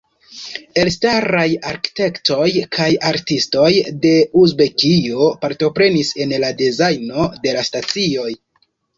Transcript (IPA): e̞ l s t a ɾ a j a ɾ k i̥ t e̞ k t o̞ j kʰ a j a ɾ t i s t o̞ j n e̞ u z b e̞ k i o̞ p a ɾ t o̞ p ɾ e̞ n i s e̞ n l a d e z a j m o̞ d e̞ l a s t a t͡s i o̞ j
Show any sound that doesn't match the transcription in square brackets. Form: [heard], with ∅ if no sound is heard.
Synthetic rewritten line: e̞ l s t a ɾ a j a ɾ k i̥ t e̞ k t o̞ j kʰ a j a ɾ t i s t o̞ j [d] e̞ u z b e̞ k i o̞ p a ɾ t o̞ p ɾ e̞ n i s e̞ n l a d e z a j [n] o̞ d e̞ l a s t a t͡s i o̞ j